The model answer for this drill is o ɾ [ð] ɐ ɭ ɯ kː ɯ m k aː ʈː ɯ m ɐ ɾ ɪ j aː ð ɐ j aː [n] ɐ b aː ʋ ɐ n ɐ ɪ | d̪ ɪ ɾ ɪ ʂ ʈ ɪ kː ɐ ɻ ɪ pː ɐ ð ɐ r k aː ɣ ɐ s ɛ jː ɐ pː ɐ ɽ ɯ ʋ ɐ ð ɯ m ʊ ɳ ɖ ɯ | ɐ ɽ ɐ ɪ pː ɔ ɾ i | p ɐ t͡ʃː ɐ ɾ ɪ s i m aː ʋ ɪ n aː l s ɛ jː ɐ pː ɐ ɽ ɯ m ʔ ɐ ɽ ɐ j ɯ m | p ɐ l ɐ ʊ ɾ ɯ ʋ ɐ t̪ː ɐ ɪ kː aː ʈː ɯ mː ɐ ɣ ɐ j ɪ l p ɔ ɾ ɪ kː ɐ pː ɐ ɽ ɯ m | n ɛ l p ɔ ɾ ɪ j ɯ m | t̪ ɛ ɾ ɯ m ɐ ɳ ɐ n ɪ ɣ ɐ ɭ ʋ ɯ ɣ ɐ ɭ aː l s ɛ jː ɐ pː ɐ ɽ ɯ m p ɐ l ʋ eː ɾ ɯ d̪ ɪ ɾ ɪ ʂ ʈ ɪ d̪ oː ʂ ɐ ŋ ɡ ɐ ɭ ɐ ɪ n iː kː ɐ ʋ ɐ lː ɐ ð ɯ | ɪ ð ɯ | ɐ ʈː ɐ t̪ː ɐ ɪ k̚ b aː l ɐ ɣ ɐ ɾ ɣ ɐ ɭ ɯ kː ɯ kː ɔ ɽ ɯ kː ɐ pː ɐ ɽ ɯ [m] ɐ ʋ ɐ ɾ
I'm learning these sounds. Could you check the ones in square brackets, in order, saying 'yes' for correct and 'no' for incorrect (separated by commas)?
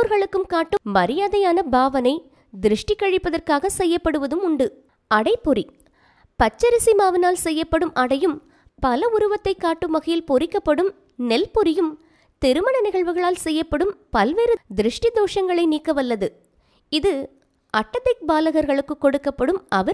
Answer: no, yes, yes